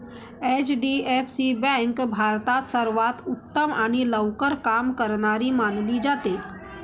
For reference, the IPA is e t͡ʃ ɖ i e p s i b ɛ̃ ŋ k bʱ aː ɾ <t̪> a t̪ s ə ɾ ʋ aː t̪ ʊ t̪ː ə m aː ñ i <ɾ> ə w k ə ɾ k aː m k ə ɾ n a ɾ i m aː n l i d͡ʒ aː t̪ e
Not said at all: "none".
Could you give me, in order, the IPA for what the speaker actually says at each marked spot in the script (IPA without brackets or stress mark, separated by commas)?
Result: t̪, l